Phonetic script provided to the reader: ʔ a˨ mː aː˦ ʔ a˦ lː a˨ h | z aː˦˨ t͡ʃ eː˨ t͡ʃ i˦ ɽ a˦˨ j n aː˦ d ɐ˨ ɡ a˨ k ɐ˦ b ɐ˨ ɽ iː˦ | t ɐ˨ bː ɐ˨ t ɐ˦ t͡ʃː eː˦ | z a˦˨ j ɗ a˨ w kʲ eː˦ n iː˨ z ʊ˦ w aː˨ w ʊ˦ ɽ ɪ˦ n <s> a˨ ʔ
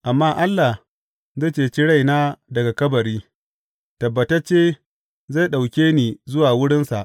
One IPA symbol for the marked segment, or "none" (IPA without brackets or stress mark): s